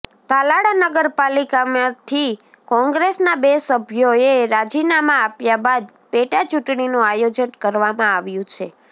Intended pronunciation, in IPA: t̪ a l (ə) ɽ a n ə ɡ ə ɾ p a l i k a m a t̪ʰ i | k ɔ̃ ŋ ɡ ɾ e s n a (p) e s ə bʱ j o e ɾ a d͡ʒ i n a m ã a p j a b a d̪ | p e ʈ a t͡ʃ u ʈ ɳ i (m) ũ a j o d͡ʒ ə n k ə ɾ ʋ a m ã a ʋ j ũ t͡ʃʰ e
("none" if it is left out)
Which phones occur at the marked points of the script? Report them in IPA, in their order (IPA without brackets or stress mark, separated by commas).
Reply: a, b, n